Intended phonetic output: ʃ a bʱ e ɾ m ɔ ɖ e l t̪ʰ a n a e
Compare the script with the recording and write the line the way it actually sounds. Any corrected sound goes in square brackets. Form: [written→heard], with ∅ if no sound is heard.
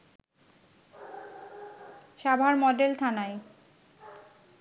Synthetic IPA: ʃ a bʱ [e→a] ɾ m ɔ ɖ e l t̪ʰ a n a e